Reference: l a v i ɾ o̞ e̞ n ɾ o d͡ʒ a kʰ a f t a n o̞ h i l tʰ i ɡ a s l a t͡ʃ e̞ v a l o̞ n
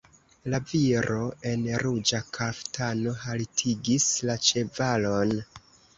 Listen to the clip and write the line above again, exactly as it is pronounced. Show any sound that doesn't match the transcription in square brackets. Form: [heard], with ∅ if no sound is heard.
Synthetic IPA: l a v i ɾ o̞ e̞ n ɾ [u] d͡ʒ a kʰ a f t a n o̞ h [a] l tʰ i ɡ [i] s l a t͡ʃ e̞ v a l o̞ n

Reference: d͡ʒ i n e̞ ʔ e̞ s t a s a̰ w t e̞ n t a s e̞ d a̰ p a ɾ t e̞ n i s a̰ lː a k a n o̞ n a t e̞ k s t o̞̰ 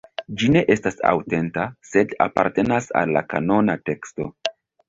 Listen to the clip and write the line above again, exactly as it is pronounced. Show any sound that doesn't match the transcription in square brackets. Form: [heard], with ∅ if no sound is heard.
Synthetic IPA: d͡ʒ i n e̞ ʔ e̞ s t a s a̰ w t e̞ n t a s e̞ d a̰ p a ɾ t e̞ n [a] s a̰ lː a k a n o̞ n a t e̞ k s t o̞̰

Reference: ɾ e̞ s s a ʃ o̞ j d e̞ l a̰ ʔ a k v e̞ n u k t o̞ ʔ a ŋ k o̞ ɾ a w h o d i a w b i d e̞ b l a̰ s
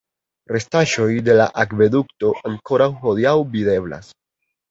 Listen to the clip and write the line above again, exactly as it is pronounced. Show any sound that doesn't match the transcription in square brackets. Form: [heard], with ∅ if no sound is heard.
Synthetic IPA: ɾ e̞ s [t] a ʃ o̞ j d e̞ l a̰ ʔ a k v e̞ [d] u k t o̞ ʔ a ŋ k o̞ ɾ a w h o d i a w b i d e̞ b l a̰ s

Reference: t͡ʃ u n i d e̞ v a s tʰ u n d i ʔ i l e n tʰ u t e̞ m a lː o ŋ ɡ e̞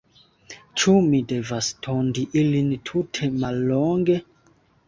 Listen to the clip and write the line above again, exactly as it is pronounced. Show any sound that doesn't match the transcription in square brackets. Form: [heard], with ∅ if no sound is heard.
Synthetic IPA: t͡ʃ u [m] i d e̞ v a s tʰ [o] n d i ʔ i l [i] n tʰ u [tʰ] e̞ m a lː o ŋ ɡ e̞

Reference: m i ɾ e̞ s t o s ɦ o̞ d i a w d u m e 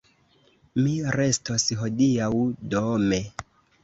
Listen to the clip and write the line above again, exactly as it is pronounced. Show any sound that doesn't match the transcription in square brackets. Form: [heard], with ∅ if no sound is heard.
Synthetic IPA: m i ɾ e̞ s t o s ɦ o̞ d i a w d [o] m e

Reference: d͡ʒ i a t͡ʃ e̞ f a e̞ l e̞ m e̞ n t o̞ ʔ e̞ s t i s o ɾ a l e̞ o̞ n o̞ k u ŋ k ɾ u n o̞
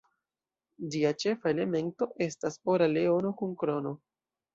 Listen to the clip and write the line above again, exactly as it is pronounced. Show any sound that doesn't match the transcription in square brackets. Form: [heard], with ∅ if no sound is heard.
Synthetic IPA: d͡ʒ i a t͡ʃ e̞ f a e̞ l e̞ m e̞ n t o̞ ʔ e̞ s t [a] s o ɾ a l e̞ o̞ n o̞ k u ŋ k ɾ [o] n o̞

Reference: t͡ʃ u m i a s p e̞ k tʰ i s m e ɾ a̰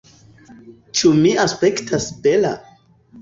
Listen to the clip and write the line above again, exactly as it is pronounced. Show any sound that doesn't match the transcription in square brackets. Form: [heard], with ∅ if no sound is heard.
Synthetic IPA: t͡ʃ u m i a s p e̞ k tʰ [a] s [b] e [l] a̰

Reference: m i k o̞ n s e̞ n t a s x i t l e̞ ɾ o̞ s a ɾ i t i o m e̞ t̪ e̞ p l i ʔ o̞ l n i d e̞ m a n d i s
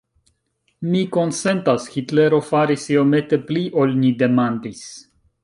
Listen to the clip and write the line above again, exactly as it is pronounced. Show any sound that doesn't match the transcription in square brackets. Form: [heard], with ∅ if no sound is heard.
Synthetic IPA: m i k o̞ n s e̞ n t a s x i t l e̞ ɾ o̞ [f] a ɾ i [s] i o m e̞ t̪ e̞ p l i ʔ o̞ l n i d e̞ m a n d i s

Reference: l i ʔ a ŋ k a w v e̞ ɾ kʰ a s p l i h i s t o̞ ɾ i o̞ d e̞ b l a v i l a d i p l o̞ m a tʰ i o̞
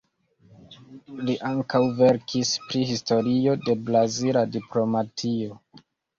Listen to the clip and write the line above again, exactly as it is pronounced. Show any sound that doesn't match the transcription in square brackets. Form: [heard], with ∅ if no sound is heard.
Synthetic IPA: l i ʔ a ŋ k a w v e̞ ɾ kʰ [i] s p [ɾ] i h i s t o̞ ɾ i o̞ d e̞ b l a [z] i l a d i p l o̞ m a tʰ i o̞

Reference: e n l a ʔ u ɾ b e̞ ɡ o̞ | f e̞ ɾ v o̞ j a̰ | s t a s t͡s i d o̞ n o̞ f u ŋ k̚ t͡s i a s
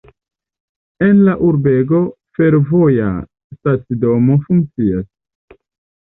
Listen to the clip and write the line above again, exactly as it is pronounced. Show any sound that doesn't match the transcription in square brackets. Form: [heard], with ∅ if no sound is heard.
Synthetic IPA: e n l a ʔ u ɾ b e̞ ɡ o̞ | f e̞ ɾ v o̞ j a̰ | s t a [∅] t͡s i d o̞ [m] o̞ f u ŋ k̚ t͡s i a s

